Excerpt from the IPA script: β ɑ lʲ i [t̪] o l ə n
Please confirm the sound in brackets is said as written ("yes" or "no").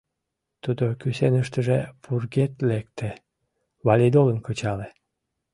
no